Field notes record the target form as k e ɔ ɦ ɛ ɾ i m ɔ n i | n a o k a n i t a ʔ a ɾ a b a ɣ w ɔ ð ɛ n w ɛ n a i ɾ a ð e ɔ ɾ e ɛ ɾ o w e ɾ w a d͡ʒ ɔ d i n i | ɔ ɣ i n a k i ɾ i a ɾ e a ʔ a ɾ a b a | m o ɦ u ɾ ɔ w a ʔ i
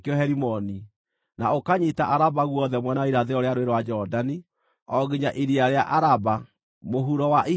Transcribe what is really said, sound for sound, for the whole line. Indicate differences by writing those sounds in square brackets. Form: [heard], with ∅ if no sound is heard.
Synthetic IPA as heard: k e ɔ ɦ ɛ ɾ i m ɔ n i | n a o k a [ɲ] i t a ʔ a ɾ a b a ɣ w ɔ ð ɛ [m] w ɛ n a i ɾ a ð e ɔ ɾ e [a] ɾ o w e ɾ w a d͡ʒ ɔ d [a] n i | ɔ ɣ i [ɲ] a [ʔ] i ɾ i a ɾ e a ʔ a ɾ a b a | m o ɦ u ɾ ɔ w a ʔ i